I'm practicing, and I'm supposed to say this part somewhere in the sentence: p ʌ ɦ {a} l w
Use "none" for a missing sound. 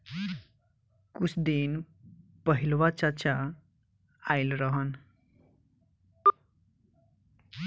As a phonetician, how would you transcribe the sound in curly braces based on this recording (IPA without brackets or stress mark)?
i